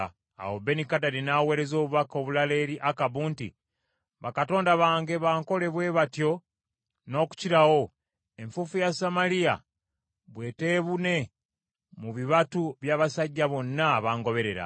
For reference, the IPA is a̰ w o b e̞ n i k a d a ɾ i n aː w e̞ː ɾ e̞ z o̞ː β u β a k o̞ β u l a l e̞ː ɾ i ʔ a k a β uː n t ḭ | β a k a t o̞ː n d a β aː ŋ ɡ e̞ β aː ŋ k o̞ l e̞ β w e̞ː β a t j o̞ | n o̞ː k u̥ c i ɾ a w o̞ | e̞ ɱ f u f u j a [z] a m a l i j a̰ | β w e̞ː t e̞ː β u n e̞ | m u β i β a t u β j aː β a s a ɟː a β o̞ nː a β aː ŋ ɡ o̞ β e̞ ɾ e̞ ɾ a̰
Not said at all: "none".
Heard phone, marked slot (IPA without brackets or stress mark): s